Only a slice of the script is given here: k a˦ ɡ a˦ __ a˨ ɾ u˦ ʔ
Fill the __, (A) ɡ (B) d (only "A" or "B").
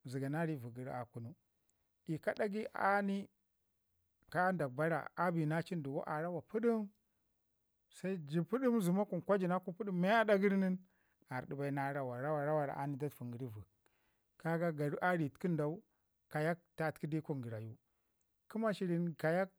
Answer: A